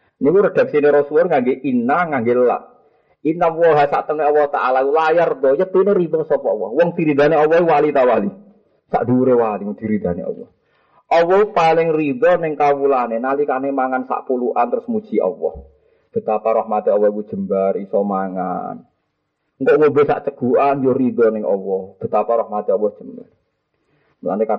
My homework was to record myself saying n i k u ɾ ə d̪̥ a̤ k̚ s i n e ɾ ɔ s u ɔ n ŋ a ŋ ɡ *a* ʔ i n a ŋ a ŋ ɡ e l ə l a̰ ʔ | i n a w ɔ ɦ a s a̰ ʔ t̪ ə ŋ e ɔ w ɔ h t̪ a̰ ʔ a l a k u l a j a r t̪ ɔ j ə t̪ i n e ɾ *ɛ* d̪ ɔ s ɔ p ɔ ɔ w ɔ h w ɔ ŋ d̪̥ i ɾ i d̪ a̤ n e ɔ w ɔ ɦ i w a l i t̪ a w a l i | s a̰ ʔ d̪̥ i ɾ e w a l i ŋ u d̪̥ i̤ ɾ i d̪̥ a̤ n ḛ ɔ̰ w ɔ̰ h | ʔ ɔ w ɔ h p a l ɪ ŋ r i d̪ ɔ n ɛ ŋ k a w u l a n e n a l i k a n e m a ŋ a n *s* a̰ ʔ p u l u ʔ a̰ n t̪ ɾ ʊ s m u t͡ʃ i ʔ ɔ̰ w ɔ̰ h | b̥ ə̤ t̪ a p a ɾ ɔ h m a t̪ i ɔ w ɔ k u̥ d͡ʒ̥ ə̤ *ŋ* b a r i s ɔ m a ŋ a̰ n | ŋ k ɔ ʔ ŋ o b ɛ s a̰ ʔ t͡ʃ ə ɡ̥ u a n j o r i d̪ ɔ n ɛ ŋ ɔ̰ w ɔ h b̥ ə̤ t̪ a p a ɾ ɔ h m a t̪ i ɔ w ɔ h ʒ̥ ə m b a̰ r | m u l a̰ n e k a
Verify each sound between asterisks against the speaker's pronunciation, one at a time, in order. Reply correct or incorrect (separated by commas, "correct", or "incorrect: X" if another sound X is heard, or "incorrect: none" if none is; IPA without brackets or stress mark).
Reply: incorrect: e, incorrect: i, correct, incorrect: m